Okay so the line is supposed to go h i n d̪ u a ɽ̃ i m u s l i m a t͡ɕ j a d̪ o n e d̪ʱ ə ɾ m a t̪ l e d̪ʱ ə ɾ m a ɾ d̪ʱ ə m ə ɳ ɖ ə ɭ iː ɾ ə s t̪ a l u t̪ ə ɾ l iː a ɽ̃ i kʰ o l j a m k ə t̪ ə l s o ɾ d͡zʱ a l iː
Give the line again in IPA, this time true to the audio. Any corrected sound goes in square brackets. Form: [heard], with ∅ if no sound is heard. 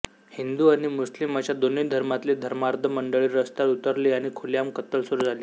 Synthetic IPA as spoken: h i n d̪ u a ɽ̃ i m u s l i m a t͡ɕ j a d̪ o n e d̪ʱ ə ɾ m a t̪ l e d̪ʱ ə ɾ m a ɾ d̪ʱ ə m ə ɳ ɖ ə ɭ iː ɾ ə s t̪ a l u t̪ ə ɾ l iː a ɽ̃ i kʰ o l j a m k ə t̪ ə l s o ɾ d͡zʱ a l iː